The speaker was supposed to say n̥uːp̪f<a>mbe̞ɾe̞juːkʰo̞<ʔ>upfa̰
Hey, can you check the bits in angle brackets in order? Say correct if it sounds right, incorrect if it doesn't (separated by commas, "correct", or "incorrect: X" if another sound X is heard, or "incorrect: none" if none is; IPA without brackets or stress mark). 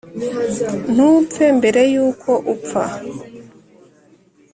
incorrect: e, correct